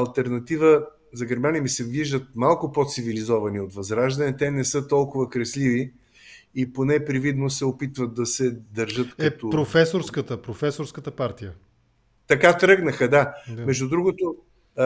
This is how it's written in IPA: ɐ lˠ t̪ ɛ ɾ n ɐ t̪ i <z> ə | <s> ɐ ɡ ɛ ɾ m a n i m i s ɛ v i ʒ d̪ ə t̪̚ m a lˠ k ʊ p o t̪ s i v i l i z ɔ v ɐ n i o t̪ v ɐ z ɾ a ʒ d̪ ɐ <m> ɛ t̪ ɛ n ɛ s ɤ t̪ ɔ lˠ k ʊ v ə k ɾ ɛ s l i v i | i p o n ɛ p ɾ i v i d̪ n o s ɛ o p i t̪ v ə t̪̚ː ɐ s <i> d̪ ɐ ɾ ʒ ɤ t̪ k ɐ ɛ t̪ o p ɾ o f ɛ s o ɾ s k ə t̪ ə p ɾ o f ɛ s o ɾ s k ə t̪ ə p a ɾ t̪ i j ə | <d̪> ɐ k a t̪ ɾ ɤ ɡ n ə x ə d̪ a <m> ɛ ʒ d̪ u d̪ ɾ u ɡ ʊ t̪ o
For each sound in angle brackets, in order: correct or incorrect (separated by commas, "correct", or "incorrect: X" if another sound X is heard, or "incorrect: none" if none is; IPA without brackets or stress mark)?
incorrect: v, incorrect: z, incorrect: n, incorrect: ɛ, incorrect: t̪, correct